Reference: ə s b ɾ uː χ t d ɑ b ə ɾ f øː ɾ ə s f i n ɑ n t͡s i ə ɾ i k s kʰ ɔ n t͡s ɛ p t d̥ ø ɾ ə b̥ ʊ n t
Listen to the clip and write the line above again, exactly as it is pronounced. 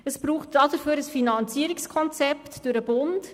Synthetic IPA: ə s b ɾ uː χ t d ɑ d ə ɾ f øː ɾ ə s f i n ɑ n t͡s i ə ɾ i k s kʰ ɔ n t͡s ɛ p t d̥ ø ɾ ə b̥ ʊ n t